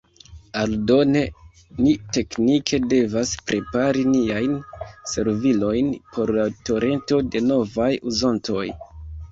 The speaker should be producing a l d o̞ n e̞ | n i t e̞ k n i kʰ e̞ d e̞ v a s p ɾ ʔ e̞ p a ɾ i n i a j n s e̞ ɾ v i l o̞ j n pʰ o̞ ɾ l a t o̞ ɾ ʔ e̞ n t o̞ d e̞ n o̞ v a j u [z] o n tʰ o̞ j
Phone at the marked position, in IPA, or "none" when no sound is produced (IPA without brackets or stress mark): z